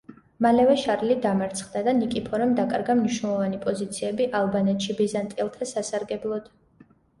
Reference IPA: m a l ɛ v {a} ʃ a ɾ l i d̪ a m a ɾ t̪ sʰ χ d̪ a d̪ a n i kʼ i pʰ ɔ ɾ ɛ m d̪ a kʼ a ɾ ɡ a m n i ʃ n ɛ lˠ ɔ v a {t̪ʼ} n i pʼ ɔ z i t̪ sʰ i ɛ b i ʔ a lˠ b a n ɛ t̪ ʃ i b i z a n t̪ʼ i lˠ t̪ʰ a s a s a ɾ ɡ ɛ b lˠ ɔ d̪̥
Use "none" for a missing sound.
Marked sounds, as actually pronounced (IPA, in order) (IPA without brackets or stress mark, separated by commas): ɛ, none